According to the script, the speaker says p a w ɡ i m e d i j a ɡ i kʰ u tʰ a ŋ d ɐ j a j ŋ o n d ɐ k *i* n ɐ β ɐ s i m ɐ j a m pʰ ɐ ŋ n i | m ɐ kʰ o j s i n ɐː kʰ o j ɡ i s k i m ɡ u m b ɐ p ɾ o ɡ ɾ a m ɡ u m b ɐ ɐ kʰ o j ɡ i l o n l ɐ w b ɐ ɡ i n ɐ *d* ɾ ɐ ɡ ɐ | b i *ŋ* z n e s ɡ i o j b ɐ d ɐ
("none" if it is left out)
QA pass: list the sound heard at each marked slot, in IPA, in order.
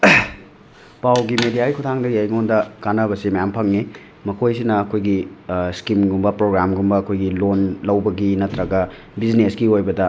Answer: a, t, none

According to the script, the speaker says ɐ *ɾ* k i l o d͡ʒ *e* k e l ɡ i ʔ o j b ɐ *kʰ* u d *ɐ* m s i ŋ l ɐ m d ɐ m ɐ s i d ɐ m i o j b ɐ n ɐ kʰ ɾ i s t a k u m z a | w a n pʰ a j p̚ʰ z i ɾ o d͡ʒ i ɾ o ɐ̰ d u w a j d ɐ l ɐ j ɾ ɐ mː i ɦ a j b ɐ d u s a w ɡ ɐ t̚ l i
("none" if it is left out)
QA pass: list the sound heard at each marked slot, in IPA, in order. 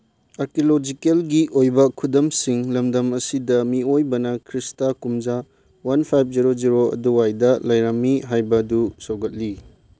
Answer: ɾ, i, kʰ, ɐ

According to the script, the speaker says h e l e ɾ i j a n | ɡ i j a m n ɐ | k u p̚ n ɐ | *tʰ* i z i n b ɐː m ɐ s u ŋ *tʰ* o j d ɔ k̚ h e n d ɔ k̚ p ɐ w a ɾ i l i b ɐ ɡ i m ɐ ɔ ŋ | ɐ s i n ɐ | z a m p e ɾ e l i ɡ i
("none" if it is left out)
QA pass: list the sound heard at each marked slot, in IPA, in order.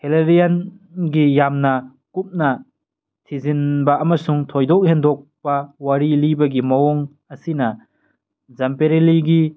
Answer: tʰ, tʰ

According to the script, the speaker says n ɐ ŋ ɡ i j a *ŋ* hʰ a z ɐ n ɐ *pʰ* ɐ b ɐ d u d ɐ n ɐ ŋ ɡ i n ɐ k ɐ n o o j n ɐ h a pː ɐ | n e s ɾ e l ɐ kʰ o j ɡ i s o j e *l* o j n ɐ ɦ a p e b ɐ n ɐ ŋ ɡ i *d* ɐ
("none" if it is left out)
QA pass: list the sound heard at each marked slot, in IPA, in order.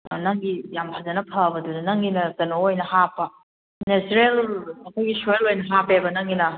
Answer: m, pʰ, l, n

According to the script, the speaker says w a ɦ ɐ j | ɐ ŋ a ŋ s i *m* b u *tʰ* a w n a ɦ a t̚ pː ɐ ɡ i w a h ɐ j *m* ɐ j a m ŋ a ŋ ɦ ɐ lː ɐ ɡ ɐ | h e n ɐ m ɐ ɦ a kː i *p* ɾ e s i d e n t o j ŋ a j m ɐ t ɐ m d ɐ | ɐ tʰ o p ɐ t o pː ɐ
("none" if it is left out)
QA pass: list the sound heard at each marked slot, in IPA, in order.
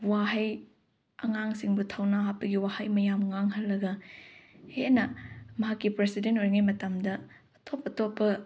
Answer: ŋ, tʰ, m, p

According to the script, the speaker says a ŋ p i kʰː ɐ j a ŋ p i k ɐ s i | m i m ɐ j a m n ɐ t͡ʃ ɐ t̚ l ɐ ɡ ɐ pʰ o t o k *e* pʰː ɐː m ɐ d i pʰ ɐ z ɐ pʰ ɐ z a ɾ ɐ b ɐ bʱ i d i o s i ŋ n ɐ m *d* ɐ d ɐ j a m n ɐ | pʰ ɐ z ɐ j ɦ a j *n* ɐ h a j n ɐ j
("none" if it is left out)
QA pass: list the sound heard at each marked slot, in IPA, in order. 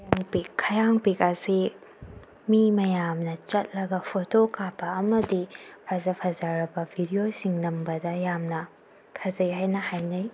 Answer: a, b, n

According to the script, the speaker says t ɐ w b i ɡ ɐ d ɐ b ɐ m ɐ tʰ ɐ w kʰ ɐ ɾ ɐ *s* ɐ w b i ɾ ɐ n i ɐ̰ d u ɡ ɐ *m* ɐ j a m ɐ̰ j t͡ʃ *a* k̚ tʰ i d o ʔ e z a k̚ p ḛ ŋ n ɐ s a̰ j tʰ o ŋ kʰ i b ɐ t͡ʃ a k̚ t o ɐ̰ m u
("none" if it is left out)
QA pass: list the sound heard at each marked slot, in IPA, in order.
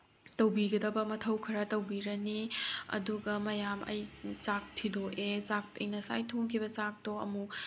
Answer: t, m, a

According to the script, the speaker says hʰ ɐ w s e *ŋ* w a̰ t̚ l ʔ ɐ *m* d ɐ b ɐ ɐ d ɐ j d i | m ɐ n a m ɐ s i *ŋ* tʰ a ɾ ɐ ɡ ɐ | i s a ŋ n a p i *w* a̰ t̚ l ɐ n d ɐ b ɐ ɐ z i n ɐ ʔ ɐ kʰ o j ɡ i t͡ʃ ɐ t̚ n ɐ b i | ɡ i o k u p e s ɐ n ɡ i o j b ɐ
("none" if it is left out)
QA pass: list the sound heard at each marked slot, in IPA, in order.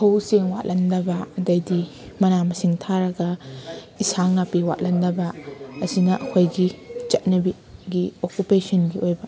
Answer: ŋ, n, ŋ, w

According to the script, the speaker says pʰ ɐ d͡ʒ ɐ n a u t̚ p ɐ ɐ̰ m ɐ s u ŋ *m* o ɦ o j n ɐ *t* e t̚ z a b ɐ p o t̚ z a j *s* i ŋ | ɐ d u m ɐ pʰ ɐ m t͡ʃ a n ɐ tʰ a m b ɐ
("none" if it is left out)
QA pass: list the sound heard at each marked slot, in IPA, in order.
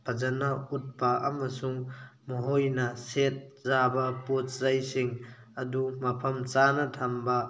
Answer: m, s, s

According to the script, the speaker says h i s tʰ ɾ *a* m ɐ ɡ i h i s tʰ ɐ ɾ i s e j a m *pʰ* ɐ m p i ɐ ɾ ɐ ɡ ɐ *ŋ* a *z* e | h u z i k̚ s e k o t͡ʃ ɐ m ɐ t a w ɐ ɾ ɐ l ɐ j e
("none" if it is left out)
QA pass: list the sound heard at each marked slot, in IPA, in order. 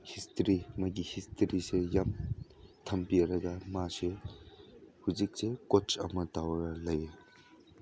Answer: i, tʰ, m, s

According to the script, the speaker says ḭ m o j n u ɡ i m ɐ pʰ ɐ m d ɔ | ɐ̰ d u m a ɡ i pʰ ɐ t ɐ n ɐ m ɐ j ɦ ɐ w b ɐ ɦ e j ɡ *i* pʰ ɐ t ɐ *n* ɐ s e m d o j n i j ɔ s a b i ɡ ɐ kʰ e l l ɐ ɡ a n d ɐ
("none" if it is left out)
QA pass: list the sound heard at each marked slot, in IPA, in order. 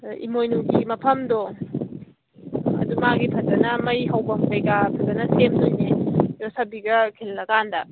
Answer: a, n

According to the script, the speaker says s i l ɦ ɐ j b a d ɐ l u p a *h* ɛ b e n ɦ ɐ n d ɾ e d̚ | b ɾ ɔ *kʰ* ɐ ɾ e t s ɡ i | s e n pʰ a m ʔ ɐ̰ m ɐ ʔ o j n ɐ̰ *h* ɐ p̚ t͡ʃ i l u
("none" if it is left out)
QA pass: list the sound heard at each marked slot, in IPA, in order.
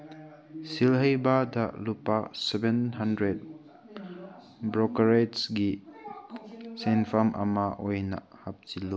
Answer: s, k, h

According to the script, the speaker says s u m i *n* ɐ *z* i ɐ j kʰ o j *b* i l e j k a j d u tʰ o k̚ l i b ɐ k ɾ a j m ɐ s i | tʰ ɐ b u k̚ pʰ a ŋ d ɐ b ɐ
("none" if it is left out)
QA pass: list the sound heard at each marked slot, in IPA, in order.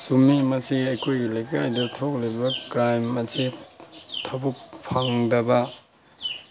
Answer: m, s, ɡ

